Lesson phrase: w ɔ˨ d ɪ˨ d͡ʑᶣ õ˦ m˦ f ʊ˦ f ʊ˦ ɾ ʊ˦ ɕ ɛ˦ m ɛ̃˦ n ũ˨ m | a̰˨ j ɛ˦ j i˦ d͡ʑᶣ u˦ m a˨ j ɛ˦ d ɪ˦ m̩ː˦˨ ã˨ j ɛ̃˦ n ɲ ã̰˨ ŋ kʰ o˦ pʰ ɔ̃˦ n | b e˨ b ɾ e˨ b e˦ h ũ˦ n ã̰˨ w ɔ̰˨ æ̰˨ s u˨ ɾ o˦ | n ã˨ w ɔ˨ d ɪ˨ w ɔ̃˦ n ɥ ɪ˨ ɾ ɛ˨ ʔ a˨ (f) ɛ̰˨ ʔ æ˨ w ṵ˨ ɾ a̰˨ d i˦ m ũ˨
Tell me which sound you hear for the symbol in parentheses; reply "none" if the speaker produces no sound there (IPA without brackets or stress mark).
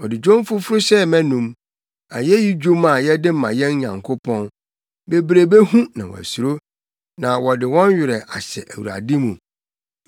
ɕ